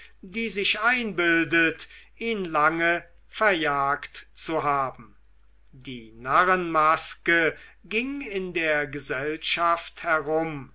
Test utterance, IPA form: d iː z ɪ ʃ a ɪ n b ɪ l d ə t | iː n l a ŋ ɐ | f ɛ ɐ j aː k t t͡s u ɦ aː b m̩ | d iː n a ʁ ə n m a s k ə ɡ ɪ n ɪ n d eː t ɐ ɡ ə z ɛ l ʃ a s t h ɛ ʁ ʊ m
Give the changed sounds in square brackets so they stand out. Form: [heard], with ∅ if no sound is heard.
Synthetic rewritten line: d iː z ɪ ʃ a ɪ n b ɪ l d ə t | iː n l a ŋ [ə] | f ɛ ɐ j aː k t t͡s u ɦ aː b m̩ | d iː n a ʁ ə n m a s k ə ɡ ɪ [ŋ] ɪ n d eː [∅] ɐ ɡ ə z ɛ l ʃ a [f] t h ɛ ʁ ʊ m